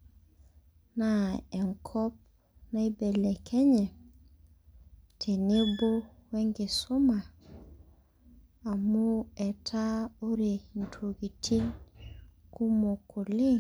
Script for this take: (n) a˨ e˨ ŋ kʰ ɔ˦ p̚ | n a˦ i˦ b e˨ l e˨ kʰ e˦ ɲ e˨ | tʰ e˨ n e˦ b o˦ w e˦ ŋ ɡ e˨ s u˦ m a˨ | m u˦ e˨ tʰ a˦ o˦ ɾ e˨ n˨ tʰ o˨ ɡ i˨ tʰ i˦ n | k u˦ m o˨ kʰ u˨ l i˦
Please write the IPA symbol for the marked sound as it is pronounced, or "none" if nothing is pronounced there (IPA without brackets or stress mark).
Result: n